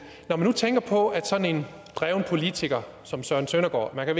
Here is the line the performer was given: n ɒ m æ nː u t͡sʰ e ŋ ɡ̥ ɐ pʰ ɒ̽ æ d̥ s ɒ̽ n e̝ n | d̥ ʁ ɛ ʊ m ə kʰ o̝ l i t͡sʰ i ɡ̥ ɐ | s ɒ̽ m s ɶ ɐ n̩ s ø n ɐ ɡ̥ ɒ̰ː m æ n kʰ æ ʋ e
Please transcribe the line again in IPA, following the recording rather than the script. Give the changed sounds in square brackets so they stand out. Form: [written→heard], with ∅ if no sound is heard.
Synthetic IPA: n ɒ m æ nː u t͡sʰ e ŋ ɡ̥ ɐ pʰ ɒ̽ æ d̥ s ɒ̽ n e̝ n | d̥ ʁ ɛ ʊ [m→n] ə [kʰ→pʰ] o̝ l i t͡sʰ i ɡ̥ ɐ | s ɒ̽ m s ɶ ɐ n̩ s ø n ɐ ɡ̥ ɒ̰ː m æ n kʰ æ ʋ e